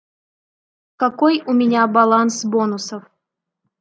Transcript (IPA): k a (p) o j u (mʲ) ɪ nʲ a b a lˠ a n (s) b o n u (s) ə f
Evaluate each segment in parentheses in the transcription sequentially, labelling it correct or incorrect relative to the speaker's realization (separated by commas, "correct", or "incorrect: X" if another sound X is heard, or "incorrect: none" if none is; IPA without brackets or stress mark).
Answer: incorrect: k, correct, correct, correct